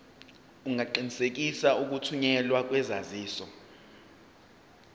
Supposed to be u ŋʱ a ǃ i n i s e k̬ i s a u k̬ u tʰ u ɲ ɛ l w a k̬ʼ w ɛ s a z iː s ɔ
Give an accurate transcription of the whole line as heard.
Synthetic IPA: u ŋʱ a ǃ i n i s e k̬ i s a u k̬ u tʰ u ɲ ɛ l w a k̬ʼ w ɛ z a z iː s ɔ